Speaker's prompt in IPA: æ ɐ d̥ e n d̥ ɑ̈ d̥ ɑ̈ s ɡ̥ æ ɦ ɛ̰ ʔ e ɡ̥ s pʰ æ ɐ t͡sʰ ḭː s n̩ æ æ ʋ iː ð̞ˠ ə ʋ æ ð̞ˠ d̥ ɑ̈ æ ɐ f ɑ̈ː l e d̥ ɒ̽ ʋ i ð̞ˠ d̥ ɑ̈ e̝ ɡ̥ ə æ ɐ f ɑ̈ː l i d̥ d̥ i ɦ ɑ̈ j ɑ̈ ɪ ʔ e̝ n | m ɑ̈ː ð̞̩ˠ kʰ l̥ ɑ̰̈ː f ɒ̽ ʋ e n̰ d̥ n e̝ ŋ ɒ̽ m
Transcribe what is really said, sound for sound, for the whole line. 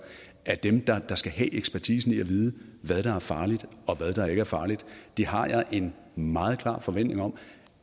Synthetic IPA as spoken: æ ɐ d̥ e m d̥ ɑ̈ d̥ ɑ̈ s ɡ̥ æ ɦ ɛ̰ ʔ e ɡ̥ s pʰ æ ɐ t͡sʰ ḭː s n̩ i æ ʋ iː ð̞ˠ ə ʋ æ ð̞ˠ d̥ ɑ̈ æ ɐ f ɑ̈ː l i d̥ ɒ̽ ʋ æ ð̞ˠ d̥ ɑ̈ e̝ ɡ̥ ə æ ɐ f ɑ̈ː l i d̥ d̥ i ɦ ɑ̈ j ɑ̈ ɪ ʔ e̝ n | m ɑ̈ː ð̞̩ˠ kʰ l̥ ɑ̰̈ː f ɒ̽ ʋ e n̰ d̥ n e̝ ŋ ɒ̽ m